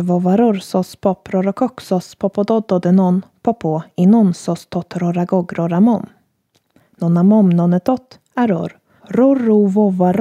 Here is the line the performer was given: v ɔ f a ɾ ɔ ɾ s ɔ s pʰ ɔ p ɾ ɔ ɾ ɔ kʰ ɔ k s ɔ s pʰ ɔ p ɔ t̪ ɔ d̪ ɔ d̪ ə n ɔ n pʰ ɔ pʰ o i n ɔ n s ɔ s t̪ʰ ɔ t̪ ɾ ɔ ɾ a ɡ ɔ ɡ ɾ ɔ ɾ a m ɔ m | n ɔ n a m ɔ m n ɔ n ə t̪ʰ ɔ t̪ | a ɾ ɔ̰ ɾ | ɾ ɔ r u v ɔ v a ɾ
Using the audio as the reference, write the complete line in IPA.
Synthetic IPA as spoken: v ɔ v a ɾ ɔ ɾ s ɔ s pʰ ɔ p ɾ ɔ ɾ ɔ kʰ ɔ k s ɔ s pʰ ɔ p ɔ d̪ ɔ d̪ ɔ d̪ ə n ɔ n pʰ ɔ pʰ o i n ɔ n s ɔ s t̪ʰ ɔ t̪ ɾ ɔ ɾ a ɡ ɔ ɡ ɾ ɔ ɾ a m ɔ m | n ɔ n a m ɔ m n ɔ n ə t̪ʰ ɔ t̪ | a ɾ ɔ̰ ɾ | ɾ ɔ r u v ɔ v a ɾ